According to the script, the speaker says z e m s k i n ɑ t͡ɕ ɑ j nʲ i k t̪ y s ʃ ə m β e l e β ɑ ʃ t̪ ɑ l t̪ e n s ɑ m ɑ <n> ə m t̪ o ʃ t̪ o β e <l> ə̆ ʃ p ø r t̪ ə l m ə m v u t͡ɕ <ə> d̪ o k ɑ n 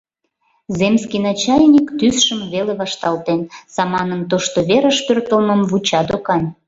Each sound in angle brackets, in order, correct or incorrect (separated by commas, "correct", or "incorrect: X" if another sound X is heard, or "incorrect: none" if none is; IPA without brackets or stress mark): correct, incorrect: ɾ, incorrect: ɑ